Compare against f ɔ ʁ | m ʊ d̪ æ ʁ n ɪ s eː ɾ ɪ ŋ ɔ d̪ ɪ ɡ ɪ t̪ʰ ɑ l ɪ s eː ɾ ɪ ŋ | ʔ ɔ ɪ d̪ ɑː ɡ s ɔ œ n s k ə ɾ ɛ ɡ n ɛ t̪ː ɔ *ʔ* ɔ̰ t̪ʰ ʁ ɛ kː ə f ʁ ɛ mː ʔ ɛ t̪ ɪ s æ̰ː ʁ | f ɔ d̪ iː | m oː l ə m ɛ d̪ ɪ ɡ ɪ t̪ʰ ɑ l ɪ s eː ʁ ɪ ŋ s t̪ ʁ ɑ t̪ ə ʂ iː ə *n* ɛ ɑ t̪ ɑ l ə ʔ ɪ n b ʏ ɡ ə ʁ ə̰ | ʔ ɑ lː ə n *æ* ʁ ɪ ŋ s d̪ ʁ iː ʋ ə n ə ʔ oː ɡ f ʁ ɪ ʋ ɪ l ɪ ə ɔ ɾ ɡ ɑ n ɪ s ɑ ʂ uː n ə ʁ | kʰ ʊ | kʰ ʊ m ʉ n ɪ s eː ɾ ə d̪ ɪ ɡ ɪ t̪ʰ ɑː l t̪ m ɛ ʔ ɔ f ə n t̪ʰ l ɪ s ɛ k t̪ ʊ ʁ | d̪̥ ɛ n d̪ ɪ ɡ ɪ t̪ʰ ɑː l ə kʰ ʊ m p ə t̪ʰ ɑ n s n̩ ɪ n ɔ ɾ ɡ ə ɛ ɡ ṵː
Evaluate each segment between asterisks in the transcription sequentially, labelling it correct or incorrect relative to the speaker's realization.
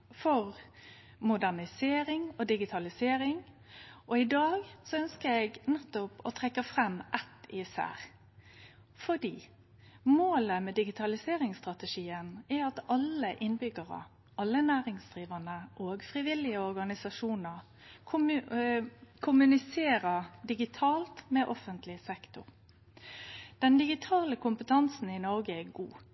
incorrect: p, correct, incorrect: æː

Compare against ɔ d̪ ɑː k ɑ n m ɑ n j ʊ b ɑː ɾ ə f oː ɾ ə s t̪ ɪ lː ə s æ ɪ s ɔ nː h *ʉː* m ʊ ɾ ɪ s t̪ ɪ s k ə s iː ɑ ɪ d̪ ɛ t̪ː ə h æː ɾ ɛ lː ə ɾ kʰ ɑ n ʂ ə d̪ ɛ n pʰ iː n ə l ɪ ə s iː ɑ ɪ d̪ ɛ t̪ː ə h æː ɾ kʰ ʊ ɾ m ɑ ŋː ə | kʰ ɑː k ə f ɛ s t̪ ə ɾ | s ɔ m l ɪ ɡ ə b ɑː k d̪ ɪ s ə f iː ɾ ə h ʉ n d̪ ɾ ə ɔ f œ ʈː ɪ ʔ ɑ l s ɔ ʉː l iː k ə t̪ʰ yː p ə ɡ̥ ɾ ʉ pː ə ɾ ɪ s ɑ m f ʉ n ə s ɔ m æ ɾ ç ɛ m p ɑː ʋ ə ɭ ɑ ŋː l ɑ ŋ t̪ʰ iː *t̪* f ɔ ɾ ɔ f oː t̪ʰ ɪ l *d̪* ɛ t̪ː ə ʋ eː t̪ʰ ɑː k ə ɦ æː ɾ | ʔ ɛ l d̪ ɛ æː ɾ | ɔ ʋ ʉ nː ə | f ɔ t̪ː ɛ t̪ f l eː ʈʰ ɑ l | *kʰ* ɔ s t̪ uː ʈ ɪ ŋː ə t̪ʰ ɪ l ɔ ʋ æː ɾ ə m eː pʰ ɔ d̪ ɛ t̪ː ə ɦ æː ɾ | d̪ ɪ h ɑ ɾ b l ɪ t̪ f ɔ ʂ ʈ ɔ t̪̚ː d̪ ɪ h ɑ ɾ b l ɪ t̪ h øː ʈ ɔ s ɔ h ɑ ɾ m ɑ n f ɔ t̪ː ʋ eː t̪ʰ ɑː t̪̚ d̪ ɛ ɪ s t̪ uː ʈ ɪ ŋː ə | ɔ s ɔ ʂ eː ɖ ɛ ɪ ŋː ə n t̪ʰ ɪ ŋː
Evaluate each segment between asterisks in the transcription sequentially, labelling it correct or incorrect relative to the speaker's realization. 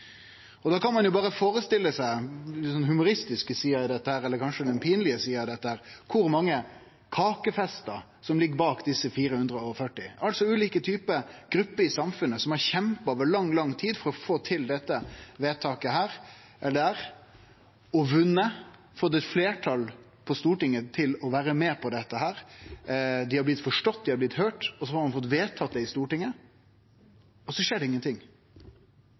incorrect: ʉ, incorrect: d̪, correct, incorrect: pʰ

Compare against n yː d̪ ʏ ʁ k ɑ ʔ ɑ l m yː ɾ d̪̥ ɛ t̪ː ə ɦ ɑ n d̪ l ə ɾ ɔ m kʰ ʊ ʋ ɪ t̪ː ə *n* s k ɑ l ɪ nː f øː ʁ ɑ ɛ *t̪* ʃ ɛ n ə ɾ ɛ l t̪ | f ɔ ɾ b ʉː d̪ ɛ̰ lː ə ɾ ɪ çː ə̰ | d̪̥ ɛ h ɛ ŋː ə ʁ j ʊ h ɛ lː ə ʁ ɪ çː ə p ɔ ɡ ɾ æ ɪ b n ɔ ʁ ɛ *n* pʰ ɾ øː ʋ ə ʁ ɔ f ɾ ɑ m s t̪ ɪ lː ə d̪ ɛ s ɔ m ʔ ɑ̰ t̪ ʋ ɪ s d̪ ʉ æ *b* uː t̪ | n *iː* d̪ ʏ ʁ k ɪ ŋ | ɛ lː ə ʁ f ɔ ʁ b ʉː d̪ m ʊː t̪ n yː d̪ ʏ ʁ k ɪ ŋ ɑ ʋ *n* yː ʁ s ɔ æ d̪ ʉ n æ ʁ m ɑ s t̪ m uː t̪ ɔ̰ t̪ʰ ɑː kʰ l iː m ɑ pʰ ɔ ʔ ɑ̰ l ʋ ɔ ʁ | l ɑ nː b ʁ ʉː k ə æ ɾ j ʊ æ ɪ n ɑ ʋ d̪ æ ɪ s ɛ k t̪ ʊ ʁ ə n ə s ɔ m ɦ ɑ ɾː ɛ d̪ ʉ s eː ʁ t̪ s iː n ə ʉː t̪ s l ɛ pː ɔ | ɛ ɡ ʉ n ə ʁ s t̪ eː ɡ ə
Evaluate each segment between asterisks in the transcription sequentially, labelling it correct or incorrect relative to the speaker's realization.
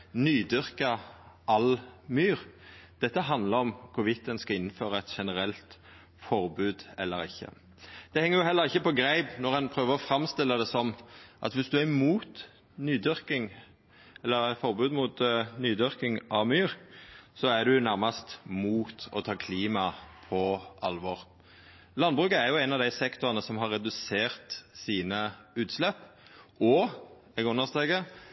correct, correct, correct, incorrect: m, incorrect: yː, incorrect: m

